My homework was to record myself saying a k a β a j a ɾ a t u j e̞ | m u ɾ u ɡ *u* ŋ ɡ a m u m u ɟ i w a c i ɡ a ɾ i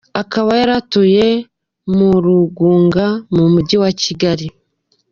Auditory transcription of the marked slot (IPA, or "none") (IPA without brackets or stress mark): uː